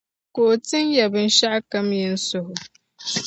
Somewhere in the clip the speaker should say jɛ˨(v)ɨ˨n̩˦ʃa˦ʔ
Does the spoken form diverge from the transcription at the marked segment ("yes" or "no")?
yes